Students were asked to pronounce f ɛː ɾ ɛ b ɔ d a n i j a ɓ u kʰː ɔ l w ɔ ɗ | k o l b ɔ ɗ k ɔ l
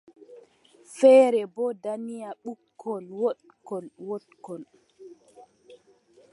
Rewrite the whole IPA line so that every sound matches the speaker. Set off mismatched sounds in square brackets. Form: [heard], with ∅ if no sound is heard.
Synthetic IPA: f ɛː ɾ ɛ b ɔ d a n i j a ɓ u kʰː ɔ l w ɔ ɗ | k [ɔ] l [w] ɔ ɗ k ɔ l